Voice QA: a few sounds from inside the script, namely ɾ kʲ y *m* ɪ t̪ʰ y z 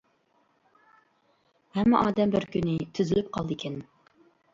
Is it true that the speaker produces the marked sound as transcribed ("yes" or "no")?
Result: no